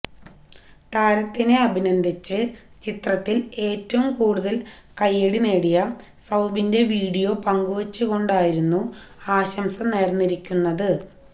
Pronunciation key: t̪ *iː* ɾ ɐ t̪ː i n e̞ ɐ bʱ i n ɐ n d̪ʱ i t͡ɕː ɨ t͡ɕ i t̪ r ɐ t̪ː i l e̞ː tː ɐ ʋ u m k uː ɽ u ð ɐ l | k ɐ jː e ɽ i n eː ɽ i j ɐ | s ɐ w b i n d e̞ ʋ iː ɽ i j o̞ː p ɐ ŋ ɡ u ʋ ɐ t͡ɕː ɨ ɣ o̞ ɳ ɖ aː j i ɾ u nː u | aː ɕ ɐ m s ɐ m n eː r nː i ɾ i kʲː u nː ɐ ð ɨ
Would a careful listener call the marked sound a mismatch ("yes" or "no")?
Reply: yes